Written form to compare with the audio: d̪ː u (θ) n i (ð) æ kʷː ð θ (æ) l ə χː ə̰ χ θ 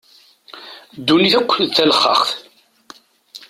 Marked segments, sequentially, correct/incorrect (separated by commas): incorrect, incorrect, correct